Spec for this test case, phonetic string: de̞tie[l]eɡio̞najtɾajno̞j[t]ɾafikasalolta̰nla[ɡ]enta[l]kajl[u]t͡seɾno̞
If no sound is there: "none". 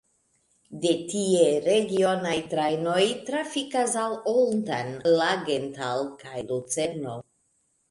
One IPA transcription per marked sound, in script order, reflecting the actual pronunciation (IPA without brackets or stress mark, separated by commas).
ɾ, t, ɡ, l, u